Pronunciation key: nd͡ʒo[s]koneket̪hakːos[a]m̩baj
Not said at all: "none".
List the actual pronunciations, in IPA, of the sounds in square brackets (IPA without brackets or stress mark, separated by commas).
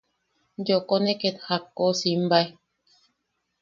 none, i